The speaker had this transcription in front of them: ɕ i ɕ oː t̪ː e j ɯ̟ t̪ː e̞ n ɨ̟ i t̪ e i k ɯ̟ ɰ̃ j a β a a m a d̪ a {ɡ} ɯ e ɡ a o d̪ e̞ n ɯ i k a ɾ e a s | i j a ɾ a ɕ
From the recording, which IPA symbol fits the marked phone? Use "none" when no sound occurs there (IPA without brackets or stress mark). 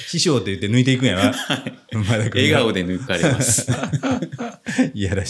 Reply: k